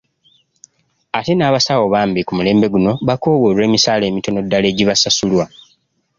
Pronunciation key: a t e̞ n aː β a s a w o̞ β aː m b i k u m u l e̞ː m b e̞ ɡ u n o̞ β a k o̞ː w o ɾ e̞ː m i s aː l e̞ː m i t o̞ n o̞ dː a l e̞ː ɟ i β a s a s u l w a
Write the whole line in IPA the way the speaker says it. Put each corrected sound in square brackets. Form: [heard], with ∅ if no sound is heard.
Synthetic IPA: a t e̞ n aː β a s a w o̞ β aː m b i k u m u l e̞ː m b e̞ ɡ u n o̞ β a k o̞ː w o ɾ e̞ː m i s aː l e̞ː m i t o̞ n o̞ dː a l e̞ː ɟ i β a s a s u l w a